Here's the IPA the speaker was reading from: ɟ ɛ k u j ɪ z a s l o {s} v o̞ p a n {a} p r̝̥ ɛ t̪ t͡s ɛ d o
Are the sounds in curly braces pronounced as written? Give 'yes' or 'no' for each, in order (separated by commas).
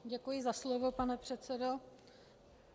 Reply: no, no